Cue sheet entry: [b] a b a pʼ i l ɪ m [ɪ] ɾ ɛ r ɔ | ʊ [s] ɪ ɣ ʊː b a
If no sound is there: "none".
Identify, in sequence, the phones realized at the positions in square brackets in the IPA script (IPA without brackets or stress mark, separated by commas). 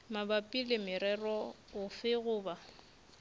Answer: m, ɪ, f